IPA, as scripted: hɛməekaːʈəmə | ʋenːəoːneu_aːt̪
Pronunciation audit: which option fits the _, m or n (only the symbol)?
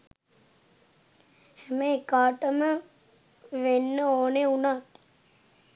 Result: n